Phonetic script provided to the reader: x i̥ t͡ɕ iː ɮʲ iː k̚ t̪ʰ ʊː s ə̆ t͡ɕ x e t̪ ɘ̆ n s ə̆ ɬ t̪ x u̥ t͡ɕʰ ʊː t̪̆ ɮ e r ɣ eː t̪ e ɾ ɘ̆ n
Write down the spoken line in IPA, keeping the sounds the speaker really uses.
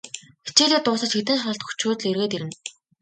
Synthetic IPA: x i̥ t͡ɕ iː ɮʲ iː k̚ t̪ ʊː s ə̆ t͡ɕ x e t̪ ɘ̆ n ʃ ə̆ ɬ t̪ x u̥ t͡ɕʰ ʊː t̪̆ ɮ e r ɣ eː t̪ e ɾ ɘ̆ n